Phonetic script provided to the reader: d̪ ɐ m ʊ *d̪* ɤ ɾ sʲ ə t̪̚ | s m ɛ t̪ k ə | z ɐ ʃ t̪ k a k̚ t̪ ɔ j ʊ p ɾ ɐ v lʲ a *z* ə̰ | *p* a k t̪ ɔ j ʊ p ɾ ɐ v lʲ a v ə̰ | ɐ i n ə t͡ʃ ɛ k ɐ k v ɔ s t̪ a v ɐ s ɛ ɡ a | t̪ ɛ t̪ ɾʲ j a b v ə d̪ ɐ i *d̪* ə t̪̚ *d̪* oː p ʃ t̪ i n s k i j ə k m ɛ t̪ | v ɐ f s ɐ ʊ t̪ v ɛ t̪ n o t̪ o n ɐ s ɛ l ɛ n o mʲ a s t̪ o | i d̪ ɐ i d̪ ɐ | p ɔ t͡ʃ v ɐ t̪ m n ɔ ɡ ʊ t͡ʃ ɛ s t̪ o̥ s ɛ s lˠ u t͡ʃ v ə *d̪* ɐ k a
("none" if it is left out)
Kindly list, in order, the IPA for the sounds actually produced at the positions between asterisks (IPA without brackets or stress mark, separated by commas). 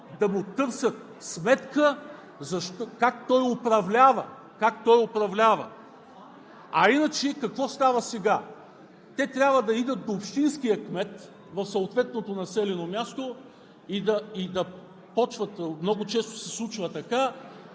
t̪, v, k, d̪, d̪, t̪